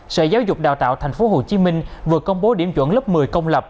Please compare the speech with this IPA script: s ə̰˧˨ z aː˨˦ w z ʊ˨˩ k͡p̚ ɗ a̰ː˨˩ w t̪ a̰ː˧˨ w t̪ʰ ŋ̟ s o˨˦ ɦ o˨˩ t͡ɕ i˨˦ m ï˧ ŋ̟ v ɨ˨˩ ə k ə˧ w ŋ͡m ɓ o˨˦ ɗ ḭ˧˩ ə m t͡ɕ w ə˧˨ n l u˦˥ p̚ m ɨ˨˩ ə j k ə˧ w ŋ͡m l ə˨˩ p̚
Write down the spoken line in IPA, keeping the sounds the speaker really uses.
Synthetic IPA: s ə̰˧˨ z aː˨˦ w z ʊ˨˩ k͡p̚ ɗ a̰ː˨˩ w t̪ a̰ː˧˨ w t̪ʰ ŋ̟ f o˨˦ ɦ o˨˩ t͡ɕ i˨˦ m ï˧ ŋ̟ v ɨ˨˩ ə k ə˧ w ŋ͡m ɓ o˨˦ ɗ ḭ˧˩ ə m t͡ɕ w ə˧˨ n l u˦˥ p̚ m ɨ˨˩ ə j k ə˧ w ŋ͡m l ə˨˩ p̚

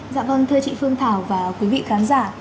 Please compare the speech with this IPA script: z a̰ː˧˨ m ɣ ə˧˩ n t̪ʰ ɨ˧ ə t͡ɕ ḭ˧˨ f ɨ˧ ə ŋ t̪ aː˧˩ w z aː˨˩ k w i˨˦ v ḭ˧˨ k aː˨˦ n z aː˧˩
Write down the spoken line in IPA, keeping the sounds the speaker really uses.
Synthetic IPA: z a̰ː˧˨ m v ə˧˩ n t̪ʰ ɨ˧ ə t͡ɕ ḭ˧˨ f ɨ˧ ə ŋ t̪ʰ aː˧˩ w v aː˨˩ k w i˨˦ v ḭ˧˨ x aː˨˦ n z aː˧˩

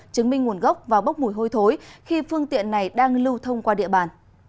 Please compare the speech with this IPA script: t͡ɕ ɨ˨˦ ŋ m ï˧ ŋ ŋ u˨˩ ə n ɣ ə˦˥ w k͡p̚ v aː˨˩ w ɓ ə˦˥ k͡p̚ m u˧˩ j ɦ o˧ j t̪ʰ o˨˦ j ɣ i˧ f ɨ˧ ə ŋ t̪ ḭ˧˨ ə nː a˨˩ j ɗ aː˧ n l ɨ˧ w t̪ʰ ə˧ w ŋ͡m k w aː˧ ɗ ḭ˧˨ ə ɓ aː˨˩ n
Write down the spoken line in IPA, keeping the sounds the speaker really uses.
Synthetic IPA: t͡ɕ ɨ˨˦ ŋ m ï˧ ŋ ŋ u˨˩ ə n ɣ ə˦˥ w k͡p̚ v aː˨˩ w ɓ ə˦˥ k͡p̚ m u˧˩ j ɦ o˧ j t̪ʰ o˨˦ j x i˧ f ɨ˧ ə ŋ t̪ ḭ˧˨ ə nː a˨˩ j ɗ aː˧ ŋ l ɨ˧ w t̪ʰ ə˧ w ŋ͡m k w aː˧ ɗ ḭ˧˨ ə ɓ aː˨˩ n

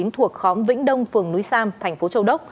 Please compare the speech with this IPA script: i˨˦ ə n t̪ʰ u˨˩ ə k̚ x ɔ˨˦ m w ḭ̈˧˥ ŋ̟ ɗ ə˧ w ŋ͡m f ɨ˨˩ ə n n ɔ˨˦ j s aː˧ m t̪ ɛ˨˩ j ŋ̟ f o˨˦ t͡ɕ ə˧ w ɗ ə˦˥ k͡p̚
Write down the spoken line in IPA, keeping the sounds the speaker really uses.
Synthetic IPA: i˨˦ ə n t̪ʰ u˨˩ ə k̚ x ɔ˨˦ m v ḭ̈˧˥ ŋ̟ ɗ ə˧ w ŋ͡m f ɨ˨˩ ə ŋ n u˨˦ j s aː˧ m t̪ʰ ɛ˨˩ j ŋ̟ f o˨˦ t͡ɕ ə˧ w ɗ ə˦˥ k͡p̚

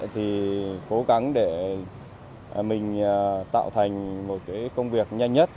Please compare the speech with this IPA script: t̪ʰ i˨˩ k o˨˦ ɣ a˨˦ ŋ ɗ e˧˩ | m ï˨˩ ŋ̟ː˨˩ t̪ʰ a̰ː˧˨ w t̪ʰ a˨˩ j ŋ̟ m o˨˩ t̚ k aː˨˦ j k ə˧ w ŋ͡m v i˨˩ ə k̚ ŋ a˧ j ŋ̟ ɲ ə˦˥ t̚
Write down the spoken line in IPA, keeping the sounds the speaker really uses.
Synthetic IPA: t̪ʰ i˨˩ k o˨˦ ɣ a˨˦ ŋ ɗ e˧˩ | m ï˨˩ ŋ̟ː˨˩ t̪ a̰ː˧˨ w t̪ʰ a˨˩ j ŋ̟ m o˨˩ t̚ k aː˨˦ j k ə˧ w ŋ͡m v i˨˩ ə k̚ ɲ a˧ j ŋ̟ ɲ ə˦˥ t̚

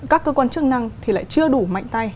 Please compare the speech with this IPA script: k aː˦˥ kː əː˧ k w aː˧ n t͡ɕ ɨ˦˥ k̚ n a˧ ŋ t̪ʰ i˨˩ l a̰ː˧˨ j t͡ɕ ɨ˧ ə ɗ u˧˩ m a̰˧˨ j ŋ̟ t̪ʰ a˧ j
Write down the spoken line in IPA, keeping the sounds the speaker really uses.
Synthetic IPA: k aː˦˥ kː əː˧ k w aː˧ n t͡ɕ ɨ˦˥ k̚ n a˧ ŋ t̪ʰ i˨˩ l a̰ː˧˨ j t͡ɕ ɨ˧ ə ɗ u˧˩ m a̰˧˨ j ŋ̟ t̪ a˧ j

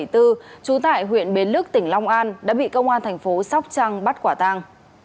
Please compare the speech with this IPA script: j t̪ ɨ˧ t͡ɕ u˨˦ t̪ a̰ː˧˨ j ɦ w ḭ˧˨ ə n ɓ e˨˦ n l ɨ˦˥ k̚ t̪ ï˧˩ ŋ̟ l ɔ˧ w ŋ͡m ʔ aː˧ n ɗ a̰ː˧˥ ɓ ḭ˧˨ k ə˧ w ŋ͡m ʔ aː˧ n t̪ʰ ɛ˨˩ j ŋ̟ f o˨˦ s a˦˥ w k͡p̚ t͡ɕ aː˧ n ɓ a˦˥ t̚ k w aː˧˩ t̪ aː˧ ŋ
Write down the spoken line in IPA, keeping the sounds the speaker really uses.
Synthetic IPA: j t̪ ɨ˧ t͡ɕ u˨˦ t̪ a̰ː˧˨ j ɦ w ḭ˧˨ ə n ɓ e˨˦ n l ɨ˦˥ k̚ t̪ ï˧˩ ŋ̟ l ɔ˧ w ŋ͡m ʔ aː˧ n ɗ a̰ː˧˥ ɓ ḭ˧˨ k ə˧ w ŋ͡m ʔ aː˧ n t̪ʰ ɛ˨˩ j ŋ̟ f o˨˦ s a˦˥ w k͡p̚ t͡ɕ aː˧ ŋ ɓ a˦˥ t̚ k w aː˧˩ t̪ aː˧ ŋ

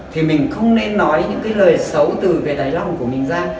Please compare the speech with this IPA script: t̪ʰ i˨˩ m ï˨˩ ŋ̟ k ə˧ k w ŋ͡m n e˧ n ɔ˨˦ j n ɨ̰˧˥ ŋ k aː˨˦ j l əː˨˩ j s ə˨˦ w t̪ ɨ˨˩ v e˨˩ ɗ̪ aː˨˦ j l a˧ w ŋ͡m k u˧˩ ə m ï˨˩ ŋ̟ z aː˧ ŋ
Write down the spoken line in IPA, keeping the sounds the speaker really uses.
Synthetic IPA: t̪ʰ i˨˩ m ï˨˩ ŋ̟ x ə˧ w ŋ͡m n e˧ nː ɔ˨˦ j ɲ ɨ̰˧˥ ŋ k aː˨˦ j l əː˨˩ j s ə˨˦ w t̪ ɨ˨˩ v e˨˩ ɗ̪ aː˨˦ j l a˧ w ŋ͡m k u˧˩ ə m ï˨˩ ŋ̟ z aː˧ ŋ

